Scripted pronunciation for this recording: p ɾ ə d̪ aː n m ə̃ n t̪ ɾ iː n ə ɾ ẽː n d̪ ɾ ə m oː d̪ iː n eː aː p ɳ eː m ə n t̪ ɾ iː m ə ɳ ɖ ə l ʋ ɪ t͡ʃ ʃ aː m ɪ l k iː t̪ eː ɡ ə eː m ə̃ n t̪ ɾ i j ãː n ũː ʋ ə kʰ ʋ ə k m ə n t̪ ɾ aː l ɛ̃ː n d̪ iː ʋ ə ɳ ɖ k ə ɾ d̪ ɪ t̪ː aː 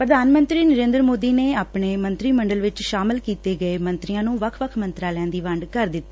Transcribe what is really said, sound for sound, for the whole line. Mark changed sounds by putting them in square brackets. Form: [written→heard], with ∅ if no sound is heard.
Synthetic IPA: p ɾ ə d̪ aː n m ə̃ n t̪ ɾ iː n ə ɾ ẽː n d̪ ɾ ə m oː d̪ iː n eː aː p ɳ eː m ə n t̪ ɾ iː m ə ɳ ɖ ə l ʋ ɪ t͡ʃ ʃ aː m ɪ l k iː t̪ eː ɡ ə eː m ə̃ n t̪ ɾ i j ãː n ũː ʋ ə kʰ ʋ ə [k→kʰ] m ə n t̪ ɾ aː l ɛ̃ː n d̪ iː ʋ ə ɳ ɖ k ə ɾ d̪ ɪ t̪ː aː